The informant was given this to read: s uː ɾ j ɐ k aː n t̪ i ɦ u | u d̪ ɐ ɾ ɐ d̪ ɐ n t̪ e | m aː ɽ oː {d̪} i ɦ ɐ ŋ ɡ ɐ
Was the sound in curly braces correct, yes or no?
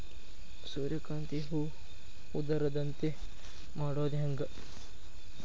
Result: yes